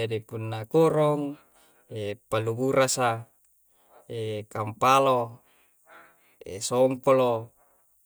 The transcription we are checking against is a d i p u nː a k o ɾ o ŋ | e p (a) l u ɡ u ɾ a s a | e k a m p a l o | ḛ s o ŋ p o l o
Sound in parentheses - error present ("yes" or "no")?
no